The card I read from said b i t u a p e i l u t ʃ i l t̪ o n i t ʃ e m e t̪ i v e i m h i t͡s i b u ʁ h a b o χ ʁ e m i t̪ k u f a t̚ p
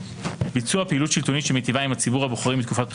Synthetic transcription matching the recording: b i t͡s u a p e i l u t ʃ i l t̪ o n i t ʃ e m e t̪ i v a i m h a t͡s i b u ʁ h a b o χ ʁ i m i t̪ k u f a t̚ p